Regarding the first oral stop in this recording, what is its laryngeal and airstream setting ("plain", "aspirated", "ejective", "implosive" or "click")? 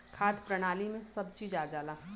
aspirated